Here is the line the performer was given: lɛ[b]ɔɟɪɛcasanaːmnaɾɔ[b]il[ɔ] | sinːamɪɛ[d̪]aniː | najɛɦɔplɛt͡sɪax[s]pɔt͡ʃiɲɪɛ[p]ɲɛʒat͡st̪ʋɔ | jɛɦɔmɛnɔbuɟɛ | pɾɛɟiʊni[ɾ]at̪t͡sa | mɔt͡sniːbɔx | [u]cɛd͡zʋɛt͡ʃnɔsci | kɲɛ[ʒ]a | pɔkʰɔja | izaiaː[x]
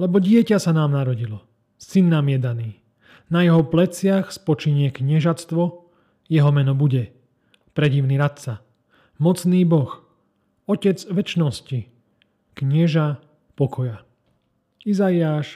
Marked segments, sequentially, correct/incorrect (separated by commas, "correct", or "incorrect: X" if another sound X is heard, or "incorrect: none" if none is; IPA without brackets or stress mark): correct, incorrect: ɟ, correct, correct, correct, incorrect: k, correct, incorrect: ɔ, correct, incorrect: ʃ